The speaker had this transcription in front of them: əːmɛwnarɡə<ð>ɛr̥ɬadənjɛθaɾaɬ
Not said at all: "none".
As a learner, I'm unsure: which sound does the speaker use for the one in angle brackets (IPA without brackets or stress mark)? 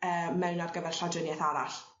v